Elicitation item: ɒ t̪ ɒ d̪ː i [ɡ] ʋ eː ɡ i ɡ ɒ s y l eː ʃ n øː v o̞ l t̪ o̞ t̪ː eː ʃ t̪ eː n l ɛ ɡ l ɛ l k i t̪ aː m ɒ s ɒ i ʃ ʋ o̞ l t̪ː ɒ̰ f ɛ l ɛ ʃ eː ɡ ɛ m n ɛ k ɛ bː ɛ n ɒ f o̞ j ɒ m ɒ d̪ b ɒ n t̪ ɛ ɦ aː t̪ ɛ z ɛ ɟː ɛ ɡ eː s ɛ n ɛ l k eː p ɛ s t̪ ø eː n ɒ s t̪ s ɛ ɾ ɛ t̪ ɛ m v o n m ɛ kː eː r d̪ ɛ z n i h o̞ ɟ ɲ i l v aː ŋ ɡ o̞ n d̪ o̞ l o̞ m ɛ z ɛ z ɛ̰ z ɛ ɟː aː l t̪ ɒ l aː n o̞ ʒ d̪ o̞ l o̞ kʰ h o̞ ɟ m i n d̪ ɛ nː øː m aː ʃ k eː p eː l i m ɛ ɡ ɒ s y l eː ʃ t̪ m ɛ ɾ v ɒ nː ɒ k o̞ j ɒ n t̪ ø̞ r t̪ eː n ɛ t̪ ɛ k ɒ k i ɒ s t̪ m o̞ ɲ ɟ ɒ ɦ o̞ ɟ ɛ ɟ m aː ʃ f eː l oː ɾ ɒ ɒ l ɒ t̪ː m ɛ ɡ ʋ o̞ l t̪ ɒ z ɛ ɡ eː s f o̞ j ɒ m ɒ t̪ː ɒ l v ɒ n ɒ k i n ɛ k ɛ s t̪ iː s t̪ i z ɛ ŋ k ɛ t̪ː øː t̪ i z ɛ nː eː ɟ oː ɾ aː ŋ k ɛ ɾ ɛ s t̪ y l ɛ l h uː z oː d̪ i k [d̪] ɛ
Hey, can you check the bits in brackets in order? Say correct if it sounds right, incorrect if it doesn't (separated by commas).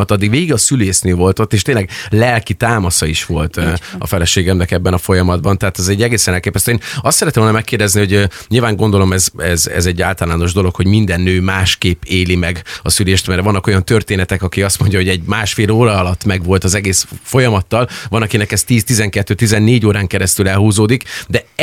correct, correct